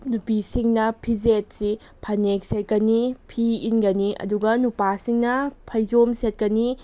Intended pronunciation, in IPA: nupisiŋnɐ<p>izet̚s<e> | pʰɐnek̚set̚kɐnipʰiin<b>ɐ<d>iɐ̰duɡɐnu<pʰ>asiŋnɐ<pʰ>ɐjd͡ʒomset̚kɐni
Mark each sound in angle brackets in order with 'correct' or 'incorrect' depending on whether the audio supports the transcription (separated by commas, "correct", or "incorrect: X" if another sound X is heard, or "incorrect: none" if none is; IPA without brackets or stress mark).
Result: incorrect: pʰ, incorrect: i, incorrect: ɡ, incorrect: n, incorrect: p, correct